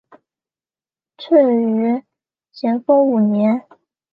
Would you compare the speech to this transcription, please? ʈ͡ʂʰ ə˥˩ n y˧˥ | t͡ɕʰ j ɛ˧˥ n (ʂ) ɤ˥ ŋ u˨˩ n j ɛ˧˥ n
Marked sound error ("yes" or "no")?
yes